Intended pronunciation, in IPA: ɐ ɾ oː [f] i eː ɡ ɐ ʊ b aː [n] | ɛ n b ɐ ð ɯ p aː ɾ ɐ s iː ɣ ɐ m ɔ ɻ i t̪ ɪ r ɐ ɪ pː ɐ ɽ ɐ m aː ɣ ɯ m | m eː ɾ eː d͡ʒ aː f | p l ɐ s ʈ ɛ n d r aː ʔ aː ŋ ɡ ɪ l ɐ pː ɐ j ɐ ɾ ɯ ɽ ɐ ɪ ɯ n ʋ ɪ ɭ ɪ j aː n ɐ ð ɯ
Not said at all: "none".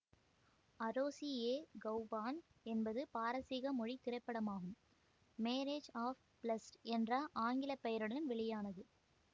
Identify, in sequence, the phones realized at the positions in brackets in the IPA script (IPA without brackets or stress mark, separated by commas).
s, n